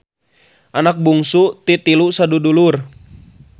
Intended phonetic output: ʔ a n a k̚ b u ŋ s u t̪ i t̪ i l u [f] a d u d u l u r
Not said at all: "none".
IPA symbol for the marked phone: s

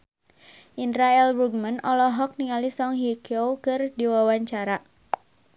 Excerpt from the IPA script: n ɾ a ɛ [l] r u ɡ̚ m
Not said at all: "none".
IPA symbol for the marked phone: l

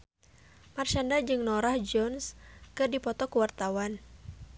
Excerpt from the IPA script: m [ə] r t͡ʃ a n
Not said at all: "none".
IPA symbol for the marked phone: a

